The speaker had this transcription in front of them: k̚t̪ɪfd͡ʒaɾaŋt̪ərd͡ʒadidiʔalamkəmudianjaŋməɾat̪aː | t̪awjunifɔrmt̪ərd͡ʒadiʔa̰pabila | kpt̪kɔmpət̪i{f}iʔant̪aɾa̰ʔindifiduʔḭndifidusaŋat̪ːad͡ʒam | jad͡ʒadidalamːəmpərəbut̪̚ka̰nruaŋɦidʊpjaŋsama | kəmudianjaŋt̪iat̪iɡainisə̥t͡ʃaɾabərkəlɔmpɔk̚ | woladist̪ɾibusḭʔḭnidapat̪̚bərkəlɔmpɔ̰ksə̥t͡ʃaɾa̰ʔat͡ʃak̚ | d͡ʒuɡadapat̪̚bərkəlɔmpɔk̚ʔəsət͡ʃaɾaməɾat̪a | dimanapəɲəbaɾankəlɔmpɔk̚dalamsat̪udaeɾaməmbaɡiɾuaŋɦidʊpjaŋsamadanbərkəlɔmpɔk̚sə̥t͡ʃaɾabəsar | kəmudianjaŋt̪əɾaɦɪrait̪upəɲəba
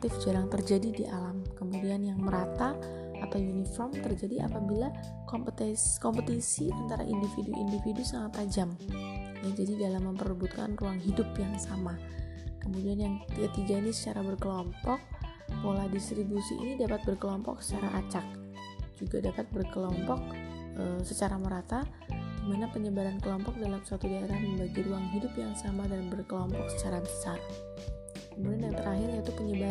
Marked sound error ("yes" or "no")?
yes